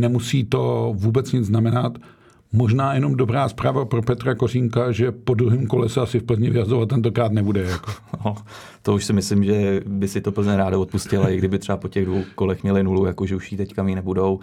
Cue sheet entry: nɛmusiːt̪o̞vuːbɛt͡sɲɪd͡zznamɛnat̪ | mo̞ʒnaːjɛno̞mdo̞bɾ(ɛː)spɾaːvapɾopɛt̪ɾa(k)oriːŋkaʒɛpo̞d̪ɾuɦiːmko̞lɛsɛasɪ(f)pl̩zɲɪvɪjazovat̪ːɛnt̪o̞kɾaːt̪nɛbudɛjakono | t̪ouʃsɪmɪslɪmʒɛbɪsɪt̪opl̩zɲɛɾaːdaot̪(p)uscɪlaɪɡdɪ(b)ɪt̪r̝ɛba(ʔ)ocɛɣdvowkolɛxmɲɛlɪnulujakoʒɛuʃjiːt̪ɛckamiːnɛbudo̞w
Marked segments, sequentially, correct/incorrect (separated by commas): incorrect, correct, correct, correct, correct, incorrect